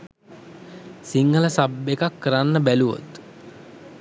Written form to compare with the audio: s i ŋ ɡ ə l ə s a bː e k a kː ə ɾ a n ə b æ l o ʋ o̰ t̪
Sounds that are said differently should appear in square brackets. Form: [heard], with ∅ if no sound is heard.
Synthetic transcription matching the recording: s i ŋ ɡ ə l ə s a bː e k a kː ə ɾ a [nː] ə b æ l [u] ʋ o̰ t̪